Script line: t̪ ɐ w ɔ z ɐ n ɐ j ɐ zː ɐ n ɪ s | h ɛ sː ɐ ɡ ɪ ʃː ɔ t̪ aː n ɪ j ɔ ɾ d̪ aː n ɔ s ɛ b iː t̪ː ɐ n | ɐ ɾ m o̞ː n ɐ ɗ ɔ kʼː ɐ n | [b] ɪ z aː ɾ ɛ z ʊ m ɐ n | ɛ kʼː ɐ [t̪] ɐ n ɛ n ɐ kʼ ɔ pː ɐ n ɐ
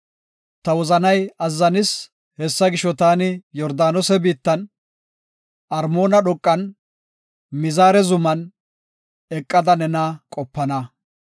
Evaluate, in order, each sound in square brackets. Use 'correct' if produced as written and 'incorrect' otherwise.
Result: incorrect, incorrect

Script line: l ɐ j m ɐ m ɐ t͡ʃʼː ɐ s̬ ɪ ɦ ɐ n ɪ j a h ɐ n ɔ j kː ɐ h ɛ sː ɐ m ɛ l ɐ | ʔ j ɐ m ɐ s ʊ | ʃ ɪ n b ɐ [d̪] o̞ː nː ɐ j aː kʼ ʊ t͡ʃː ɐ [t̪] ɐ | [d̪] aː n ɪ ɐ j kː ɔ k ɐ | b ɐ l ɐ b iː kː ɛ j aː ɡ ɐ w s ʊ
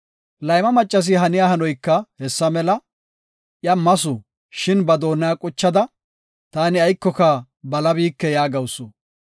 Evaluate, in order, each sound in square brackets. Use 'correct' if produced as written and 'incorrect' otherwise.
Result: correct, incorrect, incorrect

